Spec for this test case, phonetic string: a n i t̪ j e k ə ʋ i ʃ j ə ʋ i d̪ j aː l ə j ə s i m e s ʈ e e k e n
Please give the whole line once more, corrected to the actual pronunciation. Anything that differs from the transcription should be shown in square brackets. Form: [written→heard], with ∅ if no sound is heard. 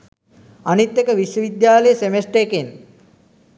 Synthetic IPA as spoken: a n i t̪ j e k ə ʋ i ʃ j ə ʋ i d̪ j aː l ə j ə s [i→e] m e s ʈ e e k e n